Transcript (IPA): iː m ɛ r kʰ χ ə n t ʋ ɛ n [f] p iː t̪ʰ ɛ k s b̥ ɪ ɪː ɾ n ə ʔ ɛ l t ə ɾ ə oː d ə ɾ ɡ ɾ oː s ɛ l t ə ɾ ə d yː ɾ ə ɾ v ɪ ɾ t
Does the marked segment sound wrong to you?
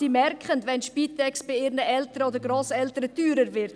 yes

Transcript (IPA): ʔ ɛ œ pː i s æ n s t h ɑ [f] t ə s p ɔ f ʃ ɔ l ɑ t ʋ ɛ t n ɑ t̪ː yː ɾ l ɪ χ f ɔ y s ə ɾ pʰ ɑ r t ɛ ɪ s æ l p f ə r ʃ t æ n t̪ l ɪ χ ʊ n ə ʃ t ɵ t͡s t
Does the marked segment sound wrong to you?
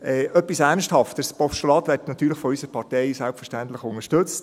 no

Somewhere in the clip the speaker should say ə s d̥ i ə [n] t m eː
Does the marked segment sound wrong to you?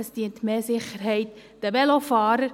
no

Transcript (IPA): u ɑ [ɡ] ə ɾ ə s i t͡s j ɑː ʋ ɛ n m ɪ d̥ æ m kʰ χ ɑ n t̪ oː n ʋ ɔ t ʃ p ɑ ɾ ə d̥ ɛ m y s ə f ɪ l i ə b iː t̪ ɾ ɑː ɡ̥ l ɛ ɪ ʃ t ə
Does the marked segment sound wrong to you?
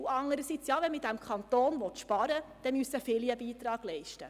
yes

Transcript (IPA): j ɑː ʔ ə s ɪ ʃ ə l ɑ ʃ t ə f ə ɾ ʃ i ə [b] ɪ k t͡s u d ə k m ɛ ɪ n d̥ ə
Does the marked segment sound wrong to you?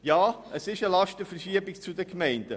no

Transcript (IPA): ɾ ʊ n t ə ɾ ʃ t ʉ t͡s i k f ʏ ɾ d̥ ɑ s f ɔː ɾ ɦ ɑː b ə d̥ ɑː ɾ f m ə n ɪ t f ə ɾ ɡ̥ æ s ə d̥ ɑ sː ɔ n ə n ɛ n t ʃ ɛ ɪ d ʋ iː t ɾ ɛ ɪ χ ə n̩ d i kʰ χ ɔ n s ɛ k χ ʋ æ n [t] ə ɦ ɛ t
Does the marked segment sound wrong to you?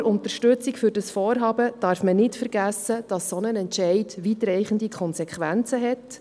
yes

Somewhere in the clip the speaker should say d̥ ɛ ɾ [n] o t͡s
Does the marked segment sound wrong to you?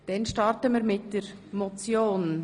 yes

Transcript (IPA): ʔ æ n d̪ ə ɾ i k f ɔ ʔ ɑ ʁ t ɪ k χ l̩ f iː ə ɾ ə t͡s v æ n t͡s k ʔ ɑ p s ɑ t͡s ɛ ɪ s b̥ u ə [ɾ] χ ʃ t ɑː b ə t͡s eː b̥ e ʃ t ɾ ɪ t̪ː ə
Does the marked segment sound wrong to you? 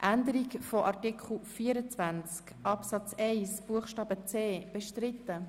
yes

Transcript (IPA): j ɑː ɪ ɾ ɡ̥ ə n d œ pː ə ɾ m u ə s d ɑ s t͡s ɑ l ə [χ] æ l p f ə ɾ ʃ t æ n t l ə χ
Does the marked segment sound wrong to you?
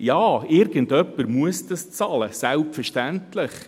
yes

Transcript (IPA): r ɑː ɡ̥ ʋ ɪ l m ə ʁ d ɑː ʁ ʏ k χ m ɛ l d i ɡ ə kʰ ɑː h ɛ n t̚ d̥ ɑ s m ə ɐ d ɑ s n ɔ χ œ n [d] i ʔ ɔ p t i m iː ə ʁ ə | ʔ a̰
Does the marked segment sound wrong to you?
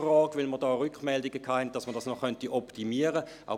yes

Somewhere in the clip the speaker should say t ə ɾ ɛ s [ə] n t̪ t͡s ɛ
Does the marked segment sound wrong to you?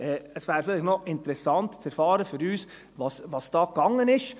yes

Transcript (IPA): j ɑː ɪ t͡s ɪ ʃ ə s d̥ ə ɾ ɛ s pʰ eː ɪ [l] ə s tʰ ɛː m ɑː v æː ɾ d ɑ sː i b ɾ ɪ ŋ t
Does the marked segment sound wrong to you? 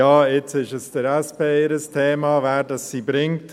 yes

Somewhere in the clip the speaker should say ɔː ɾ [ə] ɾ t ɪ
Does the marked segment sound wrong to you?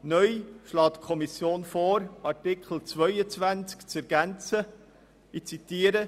yes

